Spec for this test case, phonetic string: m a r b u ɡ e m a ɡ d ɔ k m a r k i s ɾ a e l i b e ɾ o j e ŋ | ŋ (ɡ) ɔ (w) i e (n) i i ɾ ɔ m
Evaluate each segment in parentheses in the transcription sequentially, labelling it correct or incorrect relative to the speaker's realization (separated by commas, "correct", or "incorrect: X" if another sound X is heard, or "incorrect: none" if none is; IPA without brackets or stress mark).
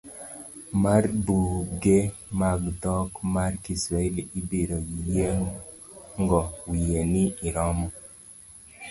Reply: correct, correct, correct